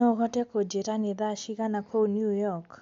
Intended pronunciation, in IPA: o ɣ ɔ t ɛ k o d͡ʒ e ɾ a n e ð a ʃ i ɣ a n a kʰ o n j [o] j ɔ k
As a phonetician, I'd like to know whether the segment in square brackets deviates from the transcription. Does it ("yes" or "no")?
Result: yes